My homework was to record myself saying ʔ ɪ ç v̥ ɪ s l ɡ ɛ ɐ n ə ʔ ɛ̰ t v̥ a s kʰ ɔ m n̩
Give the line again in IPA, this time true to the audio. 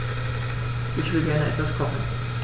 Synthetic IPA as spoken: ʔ ɪ ç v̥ ɪ l ɡ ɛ ɐ n ə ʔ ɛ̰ t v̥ a s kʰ ɔ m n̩

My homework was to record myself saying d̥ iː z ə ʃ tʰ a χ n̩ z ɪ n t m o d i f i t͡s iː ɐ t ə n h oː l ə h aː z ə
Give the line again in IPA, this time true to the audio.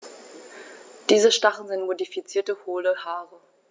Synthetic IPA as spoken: d̥ iː z ə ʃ t a χ n̩ z ɪ n t m o d i f i t͡s iː ɐ t ə h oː l ə h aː ʁ ə

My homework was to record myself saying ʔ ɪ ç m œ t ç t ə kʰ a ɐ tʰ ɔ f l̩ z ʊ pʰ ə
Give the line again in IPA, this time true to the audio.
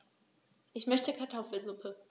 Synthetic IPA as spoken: ʔ ɪ ç m œ ç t ə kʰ a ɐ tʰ ɔ f l̩ z ʊ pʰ ə

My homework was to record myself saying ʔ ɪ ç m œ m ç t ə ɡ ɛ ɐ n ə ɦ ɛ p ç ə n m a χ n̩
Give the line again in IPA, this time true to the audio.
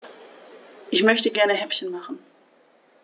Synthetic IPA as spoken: ʔ ɪ ç m œ ç t ə ɡ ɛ ɐ n ə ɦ ɛ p ç ə n m a χ n̩

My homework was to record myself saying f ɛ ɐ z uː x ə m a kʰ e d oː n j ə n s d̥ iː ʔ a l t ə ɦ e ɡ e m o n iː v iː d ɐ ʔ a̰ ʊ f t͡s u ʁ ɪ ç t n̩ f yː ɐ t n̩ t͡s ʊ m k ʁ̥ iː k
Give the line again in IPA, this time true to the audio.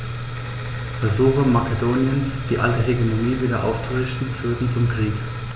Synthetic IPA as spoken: f ɛ ɐ z uː x ə m a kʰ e d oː n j ə n s d̥ iː ʔ a l t ə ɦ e ɡ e m o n iː v iː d ɐ ʔ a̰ ʊ f t͡s u ʁ ɪ ç t n̩ f yː ɐ t n̩ t͡s ʊ m k ʁ̥ iː k

